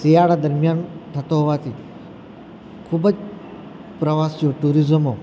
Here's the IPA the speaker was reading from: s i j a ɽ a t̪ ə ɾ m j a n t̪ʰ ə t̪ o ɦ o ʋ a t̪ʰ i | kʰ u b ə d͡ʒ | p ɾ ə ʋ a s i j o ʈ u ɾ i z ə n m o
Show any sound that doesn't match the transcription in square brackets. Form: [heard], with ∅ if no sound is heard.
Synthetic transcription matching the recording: s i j a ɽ a [d̪] ə ɾ m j a n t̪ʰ ə t̪ o ɦ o ʋ a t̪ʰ i | kʰ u b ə d͡ʒ | p ɾ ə ʋ a s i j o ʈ u ɾ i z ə [∅] m o